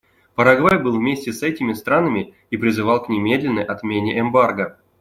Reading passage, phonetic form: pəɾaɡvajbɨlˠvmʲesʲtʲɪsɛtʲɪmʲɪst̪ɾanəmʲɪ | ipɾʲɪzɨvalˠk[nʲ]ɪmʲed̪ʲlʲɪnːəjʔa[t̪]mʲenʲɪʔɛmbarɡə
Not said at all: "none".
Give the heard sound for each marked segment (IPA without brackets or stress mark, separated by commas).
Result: nʲ, t̪